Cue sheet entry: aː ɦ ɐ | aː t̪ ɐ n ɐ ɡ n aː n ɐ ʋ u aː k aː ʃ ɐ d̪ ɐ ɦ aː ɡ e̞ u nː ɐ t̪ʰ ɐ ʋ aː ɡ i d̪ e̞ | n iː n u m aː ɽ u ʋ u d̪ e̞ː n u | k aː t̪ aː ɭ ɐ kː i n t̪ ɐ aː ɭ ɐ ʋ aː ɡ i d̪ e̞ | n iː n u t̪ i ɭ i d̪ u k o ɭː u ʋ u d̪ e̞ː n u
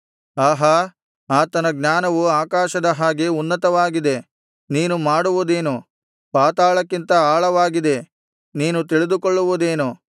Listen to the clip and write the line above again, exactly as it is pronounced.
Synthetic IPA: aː ɦ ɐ | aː t̪ ɐ n ɐ ɡ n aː n ɐ ʋ u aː k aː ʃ ɐ d̪ ɐ ɦ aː ɡ e̞ u nː ɐ t̪ ɐ ʋ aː ɡ i d̪ e̞ | n iː n u m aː ɽ u ʋ u d̪ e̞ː n u | p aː t̪ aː ɭ ɐ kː i n t̪ ɐ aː ɭ ɐ ʋ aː ɡ i d̪ e̞ | n iː n u t̪ i ɭ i d̪ u k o ɭː u ʋ u d̪ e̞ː n u